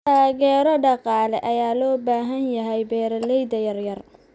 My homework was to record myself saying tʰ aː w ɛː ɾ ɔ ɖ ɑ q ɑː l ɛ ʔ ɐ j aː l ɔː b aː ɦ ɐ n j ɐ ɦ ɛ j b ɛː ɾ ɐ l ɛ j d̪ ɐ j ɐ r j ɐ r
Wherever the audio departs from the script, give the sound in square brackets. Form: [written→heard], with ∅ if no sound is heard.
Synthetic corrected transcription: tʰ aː [w→ɣ] ɛː ɾ ɔ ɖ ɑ q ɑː l ɛ ʔ ɐ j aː l ɔː b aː ɦ ɐ n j ɐ ɦ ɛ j b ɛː ɾ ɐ l ɛ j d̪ ɐ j ɐ r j ɐ r